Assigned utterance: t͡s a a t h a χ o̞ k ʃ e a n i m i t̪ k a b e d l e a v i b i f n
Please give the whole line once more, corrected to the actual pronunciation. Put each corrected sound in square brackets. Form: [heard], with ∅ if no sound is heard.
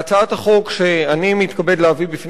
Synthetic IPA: t͡s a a t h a χ o̞ k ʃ e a n i m i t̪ k a b e d l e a v i b i f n